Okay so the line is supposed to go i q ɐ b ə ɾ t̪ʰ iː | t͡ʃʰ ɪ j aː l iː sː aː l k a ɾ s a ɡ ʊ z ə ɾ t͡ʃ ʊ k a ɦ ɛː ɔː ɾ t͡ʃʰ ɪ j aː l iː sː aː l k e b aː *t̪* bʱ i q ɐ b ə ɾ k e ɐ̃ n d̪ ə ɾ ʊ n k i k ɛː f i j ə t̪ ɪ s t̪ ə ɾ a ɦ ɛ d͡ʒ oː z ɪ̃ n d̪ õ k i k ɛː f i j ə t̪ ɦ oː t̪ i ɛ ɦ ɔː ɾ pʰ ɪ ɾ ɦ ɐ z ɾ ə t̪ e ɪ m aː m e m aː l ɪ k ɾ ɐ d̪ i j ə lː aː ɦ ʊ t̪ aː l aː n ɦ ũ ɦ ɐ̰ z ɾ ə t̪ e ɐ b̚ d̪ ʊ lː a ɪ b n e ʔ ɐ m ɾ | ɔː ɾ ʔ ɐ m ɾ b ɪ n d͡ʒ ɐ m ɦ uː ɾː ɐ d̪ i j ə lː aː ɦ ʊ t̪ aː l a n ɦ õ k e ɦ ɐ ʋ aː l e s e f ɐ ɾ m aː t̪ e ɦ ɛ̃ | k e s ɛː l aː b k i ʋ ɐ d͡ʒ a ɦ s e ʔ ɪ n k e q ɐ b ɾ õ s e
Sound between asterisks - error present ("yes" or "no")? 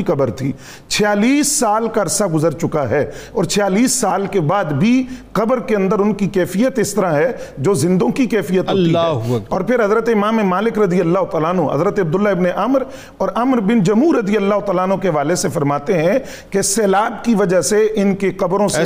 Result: yes